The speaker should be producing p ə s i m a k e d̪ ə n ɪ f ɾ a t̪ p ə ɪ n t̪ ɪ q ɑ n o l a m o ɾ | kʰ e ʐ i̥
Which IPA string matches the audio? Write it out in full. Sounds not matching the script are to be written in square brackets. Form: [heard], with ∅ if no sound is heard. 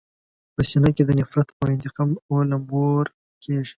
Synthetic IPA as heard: p ə s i [n] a k e d̪ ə n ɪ f ɾ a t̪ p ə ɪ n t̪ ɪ q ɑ [m] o l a m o ɾ | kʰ e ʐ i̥